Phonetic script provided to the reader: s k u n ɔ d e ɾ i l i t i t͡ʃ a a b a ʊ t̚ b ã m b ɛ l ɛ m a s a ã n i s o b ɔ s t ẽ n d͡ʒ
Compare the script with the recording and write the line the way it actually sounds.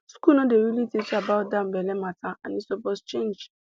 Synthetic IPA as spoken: s k u n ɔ d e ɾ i l i t i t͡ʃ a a b a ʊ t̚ d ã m b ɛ l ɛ m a t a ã n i s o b ɔ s t͡ʃ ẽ n d͡ʒ